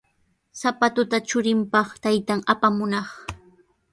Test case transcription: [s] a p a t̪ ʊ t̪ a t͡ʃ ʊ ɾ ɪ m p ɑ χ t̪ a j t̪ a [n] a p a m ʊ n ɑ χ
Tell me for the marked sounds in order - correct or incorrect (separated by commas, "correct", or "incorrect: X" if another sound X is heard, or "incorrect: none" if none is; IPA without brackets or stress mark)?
correct, incorrect: ŋ